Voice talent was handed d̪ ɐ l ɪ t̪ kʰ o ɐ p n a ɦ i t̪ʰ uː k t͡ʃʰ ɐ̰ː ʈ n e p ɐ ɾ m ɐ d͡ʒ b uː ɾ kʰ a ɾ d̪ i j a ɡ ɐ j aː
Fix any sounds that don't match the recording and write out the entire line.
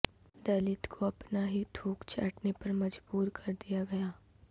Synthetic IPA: d̪ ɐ l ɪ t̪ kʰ o ɐ p n a ɦ i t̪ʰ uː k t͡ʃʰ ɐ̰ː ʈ n e p ɐ ɾ m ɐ d͡ʒ b uː ɾ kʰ ɐ ɾ d̪ i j a ɡ ɐ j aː